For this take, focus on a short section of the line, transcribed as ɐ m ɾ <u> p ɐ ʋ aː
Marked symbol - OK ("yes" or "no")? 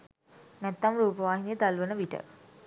no